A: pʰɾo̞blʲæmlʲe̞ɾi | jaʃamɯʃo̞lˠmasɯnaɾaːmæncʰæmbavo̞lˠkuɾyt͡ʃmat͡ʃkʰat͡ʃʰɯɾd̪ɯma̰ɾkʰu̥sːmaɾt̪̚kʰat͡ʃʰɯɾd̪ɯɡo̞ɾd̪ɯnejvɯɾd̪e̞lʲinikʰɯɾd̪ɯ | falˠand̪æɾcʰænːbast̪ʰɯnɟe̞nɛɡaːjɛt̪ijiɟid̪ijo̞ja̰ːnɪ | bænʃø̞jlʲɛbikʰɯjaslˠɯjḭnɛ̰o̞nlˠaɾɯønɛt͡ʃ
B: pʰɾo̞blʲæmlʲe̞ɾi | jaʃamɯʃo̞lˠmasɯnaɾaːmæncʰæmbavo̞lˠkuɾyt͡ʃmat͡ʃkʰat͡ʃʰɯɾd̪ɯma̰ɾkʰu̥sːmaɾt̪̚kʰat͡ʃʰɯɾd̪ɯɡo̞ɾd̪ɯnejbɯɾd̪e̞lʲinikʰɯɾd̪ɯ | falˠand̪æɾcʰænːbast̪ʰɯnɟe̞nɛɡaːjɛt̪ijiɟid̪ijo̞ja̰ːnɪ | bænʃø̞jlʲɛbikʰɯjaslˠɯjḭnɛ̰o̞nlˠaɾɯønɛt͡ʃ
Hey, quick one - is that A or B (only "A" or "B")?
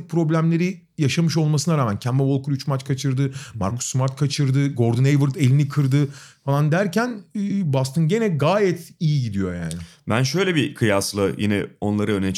A